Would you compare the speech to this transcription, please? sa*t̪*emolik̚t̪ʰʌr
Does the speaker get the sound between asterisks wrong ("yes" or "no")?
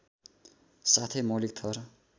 yes